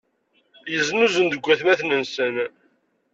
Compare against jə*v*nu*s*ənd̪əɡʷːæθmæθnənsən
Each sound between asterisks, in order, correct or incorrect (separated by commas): incorrect, incorrect